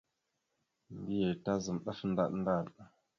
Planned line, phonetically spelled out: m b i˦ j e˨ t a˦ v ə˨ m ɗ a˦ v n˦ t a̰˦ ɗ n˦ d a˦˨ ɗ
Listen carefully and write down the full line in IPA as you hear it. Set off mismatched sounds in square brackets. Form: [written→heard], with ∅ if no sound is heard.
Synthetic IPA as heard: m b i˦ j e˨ t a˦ [v→z] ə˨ m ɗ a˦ [v→f] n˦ [t→d] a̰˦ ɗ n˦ d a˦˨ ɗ